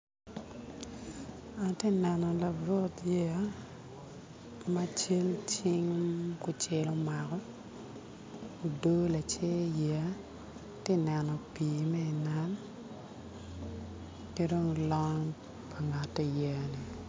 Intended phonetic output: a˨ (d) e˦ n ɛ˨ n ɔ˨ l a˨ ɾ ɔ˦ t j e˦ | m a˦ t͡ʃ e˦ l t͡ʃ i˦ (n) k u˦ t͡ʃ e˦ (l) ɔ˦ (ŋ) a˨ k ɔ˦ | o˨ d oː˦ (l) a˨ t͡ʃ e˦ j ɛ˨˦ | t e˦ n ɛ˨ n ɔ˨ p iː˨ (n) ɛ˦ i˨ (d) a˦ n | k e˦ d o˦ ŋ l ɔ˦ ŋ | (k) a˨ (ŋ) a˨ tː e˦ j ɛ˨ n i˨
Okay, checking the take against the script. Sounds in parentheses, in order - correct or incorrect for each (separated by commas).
incorrect, incorrect, correct, incorrect, correct, incorrect, incorrect, incorrect, correct